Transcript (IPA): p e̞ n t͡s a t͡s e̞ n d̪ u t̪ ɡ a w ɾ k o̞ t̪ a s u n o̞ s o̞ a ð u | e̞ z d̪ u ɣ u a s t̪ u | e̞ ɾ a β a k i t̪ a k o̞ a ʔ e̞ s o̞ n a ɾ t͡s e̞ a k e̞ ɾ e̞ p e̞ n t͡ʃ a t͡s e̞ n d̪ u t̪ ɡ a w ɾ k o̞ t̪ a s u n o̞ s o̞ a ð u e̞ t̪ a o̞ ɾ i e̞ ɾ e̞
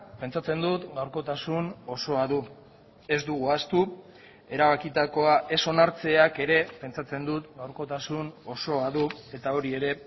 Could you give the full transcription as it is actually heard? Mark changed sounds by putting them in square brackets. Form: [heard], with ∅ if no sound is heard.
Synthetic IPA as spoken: p e̞ n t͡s a t͡s e̞ n d̪ u t̪ ɡ a w ɾ k o̞ t̪ a s u n o̞ s o̞ a ð u | e̞ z d̪ u ɣ u a s t̪ u | e̞ ɾ a β a k i t̪ a k o̞ a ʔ e̞ s o̞ n a ɾ t͡s e̞ a k e̞ ɾ e̞ p e̞ n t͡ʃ a t͡s e̞ n d̪ u t̪ ɡ a w ɾ k o̞ t̪ a s u n o̞ s o̞ a ð u e̞ t̪ a o̞ ɾ i e̞ ɾ e̞